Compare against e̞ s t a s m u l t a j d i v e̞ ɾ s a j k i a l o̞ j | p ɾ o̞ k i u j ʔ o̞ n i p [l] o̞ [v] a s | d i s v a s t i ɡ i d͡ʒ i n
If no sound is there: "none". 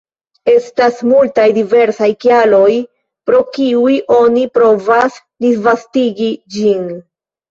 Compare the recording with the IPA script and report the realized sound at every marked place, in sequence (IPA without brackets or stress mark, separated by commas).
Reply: ɾ, v